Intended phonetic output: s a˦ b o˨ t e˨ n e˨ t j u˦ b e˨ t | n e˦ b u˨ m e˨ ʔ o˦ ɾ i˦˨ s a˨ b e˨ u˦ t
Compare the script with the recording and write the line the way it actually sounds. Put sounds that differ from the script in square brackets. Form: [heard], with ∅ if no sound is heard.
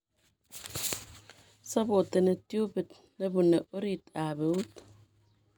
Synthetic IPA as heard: s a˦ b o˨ t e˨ n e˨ t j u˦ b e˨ t | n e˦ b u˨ [n] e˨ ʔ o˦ ɾ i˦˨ [t] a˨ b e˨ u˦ t